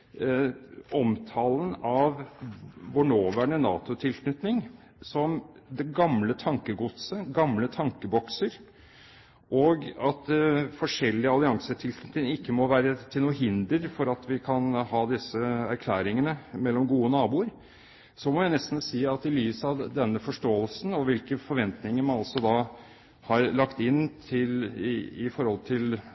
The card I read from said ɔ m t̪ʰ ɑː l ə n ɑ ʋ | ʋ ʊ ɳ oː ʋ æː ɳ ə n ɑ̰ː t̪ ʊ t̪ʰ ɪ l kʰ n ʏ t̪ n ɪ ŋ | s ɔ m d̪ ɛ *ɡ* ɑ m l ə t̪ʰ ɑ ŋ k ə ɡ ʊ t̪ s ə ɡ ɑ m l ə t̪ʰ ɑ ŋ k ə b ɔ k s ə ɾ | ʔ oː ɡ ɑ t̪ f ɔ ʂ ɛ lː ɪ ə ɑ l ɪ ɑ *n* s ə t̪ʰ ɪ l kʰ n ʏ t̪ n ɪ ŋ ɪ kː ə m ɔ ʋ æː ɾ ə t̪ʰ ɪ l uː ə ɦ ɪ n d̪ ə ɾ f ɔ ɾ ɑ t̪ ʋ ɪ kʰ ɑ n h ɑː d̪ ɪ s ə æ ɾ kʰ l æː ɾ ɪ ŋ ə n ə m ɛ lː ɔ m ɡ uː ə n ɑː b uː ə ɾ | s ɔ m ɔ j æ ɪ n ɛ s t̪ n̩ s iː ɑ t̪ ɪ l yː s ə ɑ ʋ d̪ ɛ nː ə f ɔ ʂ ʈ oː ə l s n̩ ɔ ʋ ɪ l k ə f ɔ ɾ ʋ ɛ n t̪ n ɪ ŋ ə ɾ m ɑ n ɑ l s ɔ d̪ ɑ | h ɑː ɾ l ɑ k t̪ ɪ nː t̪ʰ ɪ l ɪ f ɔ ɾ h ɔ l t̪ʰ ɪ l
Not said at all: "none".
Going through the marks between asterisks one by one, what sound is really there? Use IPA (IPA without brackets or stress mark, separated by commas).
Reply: ɡ, ŋ